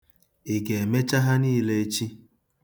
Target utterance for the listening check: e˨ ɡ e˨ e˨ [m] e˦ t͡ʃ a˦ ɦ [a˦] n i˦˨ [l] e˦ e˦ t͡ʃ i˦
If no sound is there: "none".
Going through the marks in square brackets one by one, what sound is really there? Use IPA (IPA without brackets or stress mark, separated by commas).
m, a˦, l